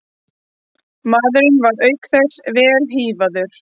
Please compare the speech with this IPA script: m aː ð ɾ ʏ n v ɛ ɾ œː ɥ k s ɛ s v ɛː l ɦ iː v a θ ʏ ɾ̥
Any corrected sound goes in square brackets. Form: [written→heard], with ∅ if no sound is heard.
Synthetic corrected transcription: m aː ð ɾ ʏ n v [ɛ→a] ɾ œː ɥ k [s→θ] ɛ s v ɛː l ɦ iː v a [θ→ð] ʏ ɾ̥